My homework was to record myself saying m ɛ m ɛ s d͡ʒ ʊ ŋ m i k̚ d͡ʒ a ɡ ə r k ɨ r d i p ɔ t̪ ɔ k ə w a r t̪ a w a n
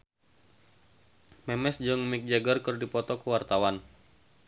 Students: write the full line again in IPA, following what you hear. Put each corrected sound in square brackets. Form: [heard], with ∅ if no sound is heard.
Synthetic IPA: m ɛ m ɛ s d͡ʒ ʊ ŋ m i k̚ d͡ʒ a ɡ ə r k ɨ r d i p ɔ t̪ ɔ k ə w a r t̪ a w a n